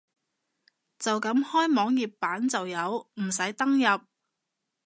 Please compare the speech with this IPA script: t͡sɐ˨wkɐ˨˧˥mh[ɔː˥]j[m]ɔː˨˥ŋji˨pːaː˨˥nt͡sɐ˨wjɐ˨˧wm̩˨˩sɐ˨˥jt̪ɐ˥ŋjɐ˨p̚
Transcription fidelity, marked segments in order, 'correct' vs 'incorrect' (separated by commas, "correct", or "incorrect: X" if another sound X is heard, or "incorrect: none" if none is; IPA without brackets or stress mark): correct, correct